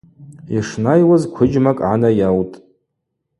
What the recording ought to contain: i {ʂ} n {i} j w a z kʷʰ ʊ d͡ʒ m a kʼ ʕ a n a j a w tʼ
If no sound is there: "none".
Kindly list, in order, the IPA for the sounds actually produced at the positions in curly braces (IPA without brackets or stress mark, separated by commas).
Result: ʂ, a